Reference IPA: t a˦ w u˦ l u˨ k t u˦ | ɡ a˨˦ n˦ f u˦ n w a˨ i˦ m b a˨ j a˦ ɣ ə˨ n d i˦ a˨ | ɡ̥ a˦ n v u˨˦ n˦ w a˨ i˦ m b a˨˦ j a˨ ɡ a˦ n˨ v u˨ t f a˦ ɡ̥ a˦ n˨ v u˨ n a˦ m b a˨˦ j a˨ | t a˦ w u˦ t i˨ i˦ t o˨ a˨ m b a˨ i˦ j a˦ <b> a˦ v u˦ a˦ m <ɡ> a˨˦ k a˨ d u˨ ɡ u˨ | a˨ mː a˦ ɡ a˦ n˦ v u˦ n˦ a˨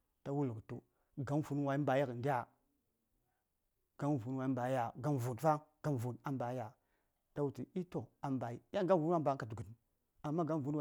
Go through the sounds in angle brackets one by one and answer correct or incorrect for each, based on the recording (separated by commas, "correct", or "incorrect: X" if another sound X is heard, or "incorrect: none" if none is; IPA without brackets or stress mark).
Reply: incorrect: ɡ, incorrect: b